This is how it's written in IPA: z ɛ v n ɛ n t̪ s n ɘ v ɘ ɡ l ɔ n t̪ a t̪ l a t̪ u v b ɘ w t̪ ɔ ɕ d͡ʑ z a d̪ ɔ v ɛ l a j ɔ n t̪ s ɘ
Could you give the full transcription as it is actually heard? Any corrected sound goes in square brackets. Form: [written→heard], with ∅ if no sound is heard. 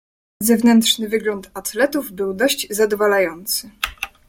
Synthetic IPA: z ɛ v n ɛ n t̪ [s→ʂ] n ɘ v ɘ ɡ l ɔ n t̪ a t̪ l [a→ɛ] t̪ u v b ɘ w [t̪→d̪] ɔ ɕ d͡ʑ z a d̪ ɔ v [ɛ→a] l a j ɔ n t̪ s ɘ